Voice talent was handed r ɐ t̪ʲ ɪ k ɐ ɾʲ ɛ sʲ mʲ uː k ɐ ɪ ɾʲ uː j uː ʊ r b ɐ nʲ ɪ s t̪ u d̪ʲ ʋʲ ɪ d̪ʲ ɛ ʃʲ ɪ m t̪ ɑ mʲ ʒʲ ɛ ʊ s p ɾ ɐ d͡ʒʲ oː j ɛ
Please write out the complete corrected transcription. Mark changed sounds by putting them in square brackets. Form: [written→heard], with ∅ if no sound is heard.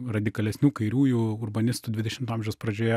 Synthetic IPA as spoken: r ɐ [t̪ʲ→d̪ʲ] ɪ k ɐ [ɾʲ→lʲ] ɛ sʲ [mʲ→nʲ] uː k ɐ ɪ ɾʲ uː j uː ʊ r b ɐ nʲ ɪ s t̪ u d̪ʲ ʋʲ ɪ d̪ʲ ɛ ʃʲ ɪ m t̪ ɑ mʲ ʒʲ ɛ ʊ s p ɾ ɐ d͡ʒʲ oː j ɛ